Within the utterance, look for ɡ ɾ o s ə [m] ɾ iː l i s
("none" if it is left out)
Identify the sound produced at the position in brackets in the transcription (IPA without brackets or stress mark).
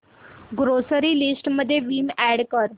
none